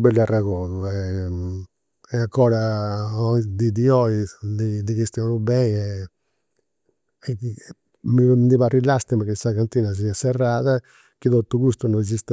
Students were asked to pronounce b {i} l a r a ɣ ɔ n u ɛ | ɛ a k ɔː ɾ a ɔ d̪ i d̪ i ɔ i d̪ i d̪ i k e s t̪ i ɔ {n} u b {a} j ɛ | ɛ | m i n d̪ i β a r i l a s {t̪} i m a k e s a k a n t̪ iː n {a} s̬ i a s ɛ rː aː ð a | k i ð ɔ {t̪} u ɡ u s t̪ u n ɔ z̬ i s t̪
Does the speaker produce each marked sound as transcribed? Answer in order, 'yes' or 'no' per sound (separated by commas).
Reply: no, yes, no, yes, yes, yes